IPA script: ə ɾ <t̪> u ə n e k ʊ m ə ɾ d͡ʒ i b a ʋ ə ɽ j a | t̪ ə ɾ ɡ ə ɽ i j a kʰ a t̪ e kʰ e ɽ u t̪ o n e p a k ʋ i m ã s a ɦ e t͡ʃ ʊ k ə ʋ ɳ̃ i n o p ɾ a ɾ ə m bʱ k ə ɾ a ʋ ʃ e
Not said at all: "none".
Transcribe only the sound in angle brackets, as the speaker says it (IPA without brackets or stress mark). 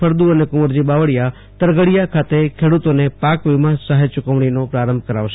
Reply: d̪